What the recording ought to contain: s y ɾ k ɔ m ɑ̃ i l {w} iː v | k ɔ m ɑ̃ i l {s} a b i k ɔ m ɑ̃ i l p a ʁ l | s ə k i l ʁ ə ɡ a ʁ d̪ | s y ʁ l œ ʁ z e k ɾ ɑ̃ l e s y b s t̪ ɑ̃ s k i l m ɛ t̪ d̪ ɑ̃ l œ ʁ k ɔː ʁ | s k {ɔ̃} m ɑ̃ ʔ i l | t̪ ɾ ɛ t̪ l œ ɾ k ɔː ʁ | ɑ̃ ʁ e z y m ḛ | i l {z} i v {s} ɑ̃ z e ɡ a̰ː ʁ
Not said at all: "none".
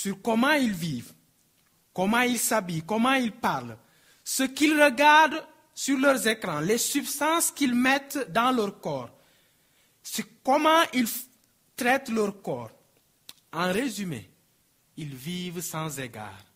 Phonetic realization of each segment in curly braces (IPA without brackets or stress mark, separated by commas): v, s, ɔ, v, s